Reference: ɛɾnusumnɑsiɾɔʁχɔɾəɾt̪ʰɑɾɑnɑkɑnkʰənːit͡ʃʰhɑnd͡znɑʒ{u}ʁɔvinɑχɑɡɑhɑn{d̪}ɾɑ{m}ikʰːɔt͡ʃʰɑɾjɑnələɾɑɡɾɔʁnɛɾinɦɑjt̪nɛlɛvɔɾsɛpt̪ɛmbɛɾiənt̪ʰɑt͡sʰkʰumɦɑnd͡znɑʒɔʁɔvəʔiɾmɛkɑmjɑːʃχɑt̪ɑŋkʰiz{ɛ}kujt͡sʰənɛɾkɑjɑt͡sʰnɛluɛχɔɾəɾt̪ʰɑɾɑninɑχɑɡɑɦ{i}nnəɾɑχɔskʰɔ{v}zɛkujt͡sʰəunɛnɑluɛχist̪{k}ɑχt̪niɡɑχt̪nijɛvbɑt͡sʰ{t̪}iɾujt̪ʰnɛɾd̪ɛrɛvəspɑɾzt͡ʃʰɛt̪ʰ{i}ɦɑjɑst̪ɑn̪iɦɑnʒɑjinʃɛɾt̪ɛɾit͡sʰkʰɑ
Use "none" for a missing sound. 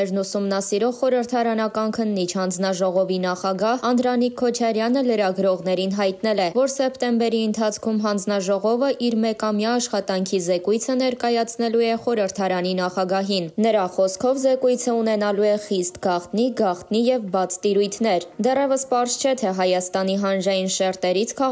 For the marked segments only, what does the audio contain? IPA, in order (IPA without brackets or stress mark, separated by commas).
ɔ, d̪, n, ɛ, i, v, ɡ, t̪, ɛ